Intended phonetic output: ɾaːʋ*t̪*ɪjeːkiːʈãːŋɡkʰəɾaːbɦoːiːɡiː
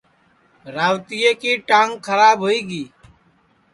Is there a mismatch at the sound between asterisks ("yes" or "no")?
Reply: no